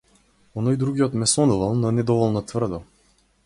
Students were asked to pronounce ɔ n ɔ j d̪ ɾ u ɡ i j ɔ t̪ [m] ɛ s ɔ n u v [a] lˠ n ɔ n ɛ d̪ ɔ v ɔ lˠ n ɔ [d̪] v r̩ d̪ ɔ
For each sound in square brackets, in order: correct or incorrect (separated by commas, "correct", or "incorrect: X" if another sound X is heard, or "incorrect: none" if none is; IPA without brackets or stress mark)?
correct, correct, incorrect: t̪